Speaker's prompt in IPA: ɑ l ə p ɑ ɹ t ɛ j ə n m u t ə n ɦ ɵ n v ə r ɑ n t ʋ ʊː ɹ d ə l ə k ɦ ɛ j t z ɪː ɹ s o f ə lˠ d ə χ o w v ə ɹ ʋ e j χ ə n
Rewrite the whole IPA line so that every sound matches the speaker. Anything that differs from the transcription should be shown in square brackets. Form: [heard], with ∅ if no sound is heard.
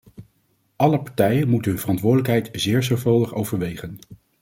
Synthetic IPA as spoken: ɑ l ə p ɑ ɹ t ɛ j ə n m u t ə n ɦ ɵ n v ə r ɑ n t ʋ ʊː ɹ d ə l ə k ɦ ɛ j t z ɪː ɹ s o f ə lˠ d ə χ o w v ə ɹ ʋ e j χ ə n